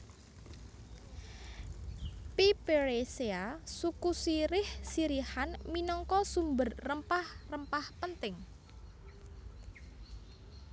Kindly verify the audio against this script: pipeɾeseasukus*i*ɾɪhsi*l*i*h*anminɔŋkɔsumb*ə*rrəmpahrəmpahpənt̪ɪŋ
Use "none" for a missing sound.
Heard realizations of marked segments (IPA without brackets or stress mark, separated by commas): i, ɾ, h, ə